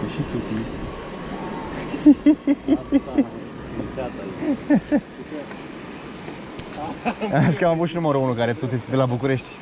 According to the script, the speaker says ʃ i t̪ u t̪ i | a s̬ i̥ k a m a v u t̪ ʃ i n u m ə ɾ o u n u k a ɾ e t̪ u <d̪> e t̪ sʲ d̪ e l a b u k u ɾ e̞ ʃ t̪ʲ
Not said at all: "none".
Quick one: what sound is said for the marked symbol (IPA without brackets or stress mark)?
t̪